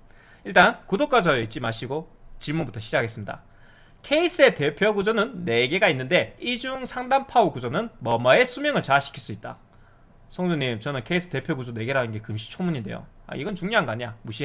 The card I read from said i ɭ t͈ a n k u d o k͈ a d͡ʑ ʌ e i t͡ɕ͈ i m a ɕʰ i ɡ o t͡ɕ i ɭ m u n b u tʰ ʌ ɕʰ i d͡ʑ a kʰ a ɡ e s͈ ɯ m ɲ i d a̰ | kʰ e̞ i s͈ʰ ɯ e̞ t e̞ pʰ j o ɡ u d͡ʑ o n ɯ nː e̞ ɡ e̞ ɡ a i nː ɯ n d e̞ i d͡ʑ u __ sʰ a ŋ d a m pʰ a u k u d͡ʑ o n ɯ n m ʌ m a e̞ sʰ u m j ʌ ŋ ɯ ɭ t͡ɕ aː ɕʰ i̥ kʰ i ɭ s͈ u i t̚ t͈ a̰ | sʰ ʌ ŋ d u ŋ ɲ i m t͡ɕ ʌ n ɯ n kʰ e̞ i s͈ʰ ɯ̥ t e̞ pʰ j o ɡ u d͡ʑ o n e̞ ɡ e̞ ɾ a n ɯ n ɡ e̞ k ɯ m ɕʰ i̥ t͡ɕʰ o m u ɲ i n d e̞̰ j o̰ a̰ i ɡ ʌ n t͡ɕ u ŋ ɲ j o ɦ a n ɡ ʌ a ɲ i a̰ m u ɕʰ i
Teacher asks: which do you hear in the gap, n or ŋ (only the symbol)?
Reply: ŋ